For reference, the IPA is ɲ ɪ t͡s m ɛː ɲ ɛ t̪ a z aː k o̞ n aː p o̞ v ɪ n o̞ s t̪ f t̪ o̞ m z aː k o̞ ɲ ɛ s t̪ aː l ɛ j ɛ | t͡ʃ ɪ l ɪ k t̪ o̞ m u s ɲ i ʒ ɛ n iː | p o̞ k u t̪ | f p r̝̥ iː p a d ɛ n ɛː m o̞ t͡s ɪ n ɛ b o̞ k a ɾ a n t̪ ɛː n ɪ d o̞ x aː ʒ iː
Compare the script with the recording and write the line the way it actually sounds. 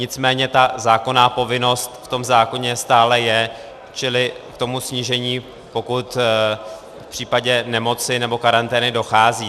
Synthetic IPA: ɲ ɪ t͡s m ɛː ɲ ɛ t̪ a z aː k o̞ n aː p o̞ v ɪ n o̞ s t̪ f t̪ o̞ m z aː k o̞ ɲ ɛ s t̪ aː l ɛ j ɛ | t͡ʃ ɪ l ɪ k t̪ o̞ m u s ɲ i ʒ ɛ ɲ iː | p o̞ k u t̪ | f p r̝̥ iː p a ɟ ɛ n ɛ m o̞ t͡s ɪ n ɛ b o̞ k a ɾ a n t̪ ɛː n ɪ d o̞ x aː z iː